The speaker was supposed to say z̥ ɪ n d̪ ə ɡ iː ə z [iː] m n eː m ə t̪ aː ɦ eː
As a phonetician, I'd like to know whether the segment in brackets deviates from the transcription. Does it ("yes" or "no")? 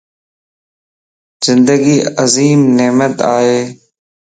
no